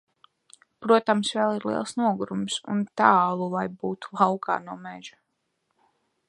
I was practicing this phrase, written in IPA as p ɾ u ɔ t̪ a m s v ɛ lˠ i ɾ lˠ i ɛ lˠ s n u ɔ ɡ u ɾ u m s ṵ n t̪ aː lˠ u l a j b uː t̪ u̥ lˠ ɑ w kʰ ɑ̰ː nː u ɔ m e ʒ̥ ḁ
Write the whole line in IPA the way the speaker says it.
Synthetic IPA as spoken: p ɾ u ɔ t̪ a m s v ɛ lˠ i ɾ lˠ i ɛ lˠ s n u ɔ ɡ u ɾ u m s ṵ n t̪ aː lˠ u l a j b uː t̪ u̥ lˠ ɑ w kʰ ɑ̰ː n u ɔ m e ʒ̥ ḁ